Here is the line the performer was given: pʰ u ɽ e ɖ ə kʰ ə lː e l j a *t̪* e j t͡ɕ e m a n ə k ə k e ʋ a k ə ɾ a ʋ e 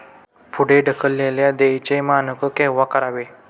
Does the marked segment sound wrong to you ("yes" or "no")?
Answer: yes